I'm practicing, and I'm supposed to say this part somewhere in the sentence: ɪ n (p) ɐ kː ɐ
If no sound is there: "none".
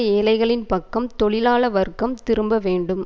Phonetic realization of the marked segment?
p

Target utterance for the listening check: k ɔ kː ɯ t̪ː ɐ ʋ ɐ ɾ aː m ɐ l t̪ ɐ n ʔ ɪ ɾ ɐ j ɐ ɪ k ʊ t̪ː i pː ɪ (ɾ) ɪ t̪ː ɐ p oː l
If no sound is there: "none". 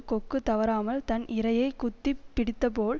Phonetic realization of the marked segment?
ɽ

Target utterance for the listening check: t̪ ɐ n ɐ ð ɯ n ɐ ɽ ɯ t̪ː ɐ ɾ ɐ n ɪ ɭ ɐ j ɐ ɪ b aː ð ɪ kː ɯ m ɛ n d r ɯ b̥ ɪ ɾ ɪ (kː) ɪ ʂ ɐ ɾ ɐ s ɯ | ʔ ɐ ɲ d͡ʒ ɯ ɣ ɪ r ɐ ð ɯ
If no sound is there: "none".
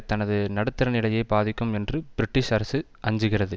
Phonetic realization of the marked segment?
ʈː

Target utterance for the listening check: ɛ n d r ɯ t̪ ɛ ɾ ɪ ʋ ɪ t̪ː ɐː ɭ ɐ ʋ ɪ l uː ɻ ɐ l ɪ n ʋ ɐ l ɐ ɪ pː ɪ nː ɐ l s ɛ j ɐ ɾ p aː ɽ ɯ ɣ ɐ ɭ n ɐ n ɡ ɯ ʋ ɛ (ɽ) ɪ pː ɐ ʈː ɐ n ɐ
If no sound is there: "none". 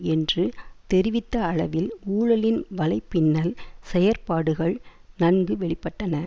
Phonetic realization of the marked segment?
ɭ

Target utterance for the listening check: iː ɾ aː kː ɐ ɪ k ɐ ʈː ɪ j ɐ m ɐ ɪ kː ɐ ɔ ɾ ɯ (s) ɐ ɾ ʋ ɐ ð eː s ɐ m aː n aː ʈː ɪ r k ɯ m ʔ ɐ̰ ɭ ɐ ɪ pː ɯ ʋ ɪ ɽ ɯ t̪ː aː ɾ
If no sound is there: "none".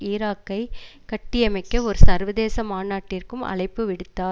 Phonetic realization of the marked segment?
s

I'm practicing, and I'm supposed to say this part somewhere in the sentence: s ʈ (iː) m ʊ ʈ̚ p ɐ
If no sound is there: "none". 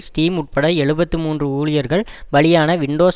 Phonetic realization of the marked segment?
iː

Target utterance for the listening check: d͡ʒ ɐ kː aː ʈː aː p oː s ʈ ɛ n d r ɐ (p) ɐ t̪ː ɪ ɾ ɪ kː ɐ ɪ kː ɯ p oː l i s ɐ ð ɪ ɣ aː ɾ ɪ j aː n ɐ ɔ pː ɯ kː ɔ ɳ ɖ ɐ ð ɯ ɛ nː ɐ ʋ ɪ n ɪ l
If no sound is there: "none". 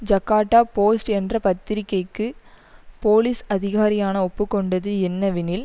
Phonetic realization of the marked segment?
p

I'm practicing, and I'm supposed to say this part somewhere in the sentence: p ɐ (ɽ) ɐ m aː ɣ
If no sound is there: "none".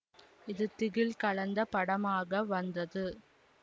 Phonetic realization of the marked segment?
ɽ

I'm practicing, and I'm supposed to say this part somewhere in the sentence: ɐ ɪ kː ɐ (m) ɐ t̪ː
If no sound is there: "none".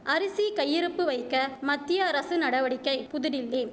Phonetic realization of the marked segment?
m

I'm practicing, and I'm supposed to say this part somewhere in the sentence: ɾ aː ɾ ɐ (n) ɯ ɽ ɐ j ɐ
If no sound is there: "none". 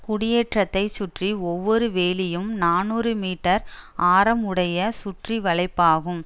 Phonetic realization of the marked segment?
m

